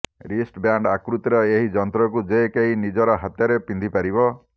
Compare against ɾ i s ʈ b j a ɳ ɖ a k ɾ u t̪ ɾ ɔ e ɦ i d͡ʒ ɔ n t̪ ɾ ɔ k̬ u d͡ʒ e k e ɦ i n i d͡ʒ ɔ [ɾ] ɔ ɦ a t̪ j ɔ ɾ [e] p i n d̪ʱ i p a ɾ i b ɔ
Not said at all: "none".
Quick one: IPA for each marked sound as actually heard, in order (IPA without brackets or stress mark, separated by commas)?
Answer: ɾ, e